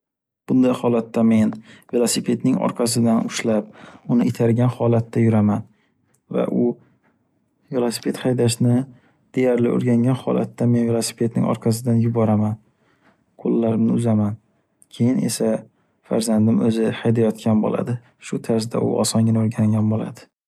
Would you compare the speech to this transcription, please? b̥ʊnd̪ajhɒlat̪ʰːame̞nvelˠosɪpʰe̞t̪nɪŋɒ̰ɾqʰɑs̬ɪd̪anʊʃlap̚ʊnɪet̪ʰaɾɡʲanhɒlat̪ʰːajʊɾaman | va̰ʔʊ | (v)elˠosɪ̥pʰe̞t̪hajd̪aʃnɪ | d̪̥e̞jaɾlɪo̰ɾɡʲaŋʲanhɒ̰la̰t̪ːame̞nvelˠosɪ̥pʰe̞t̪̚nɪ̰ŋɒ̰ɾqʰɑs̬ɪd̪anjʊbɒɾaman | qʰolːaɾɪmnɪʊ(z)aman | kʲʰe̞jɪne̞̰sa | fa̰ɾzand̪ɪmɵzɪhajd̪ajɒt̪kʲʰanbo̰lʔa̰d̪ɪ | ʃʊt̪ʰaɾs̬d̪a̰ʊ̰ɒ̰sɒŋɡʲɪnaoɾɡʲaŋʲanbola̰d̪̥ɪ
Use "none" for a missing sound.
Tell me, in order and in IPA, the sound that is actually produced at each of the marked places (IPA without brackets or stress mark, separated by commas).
v, z